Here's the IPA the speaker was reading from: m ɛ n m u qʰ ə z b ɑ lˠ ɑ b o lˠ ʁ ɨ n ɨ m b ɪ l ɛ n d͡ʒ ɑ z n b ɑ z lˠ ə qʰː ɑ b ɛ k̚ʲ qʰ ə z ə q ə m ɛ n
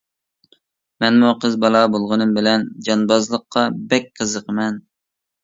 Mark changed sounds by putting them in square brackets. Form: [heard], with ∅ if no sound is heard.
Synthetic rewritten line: m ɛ n m u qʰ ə z b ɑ lˠ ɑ b o lˠ ʁ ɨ n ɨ m b ɪ l ɛ n d͡ʒ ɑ [∅] n b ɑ z lˠ ə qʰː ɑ b ɛ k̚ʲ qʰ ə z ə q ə m ɛ n

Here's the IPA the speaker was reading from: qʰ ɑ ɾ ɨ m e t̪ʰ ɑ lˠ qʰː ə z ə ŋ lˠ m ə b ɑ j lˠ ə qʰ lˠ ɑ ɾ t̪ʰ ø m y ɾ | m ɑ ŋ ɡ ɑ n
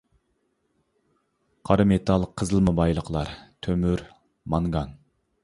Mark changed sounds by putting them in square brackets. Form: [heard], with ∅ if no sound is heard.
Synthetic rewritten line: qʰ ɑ ɾ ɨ m e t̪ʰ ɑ lˠ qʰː ə z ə [∅] lˠ m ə b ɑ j lˠ ə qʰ lˠ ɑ ɾ t̪ʰ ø m y ɾ | m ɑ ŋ ɡ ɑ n

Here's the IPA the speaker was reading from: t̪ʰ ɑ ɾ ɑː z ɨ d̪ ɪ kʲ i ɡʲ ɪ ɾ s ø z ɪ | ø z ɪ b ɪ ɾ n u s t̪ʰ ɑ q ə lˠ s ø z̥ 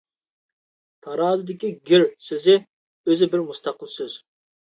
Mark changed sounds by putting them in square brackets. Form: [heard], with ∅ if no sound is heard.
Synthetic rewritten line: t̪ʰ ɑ ɾ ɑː z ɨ d̪ ɪ kʲ i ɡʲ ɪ ɾ s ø z ɪ | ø z ɪ b ɪ ɾ [m] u s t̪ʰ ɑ q ə lˠ s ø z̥

